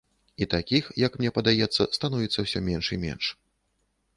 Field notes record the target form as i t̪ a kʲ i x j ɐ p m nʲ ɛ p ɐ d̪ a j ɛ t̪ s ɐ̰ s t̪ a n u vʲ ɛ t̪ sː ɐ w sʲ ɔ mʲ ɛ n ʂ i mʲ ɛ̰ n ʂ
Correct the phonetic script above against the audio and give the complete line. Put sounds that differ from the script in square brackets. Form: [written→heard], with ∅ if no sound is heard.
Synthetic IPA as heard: i t̪ a kʲ i x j ɐ [p→k] m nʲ ɛ p ɐ d̪ a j ɛ t̪ [s→sː] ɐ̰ s t̪ a n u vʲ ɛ t̪ sː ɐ w sʲ ɔ mʲ ɛ n ʂ i mʲ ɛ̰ n ʂ